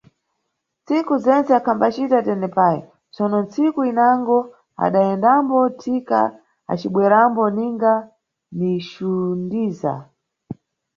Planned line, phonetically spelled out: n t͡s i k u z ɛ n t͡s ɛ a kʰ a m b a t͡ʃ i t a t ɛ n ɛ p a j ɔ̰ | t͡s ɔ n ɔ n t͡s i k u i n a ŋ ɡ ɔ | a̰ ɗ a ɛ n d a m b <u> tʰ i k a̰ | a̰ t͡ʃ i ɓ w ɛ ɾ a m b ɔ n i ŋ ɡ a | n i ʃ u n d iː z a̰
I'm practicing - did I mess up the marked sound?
yes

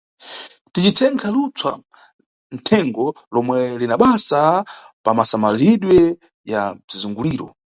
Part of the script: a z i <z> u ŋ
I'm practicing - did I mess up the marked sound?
no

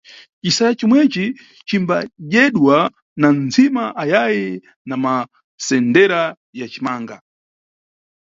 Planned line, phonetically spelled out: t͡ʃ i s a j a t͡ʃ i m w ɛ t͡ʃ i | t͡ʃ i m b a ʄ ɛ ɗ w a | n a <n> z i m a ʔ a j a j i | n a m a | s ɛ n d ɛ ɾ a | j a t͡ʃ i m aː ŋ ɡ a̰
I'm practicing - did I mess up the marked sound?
no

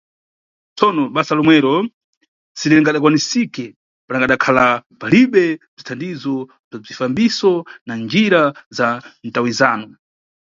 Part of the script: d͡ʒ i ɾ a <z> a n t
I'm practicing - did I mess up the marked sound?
no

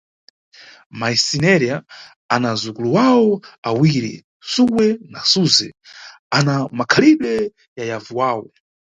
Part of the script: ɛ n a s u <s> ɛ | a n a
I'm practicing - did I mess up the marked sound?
yes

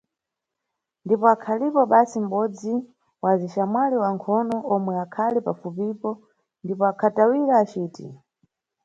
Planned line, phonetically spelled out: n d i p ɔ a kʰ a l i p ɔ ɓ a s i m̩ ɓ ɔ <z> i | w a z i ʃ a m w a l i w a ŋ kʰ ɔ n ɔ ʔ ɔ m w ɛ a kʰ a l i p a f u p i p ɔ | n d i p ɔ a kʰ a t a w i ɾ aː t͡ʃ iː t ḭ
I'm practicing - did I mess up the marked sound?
yes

